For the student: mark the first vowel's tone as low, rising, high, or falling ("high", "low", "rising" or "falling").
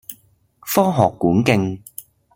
high